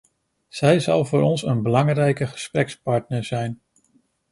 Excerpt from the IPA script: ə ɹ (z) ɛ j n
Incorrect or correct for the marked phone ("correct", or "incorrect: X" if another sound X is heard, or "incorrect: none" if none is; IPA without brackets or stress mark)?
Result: correct